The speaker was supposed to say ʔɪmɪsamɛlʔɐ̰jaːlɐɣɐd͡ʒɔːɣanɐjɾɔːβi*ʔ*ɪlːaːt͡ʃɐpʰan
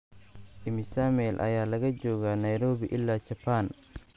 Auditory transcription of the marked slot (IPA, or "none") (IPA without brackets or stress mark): ʔ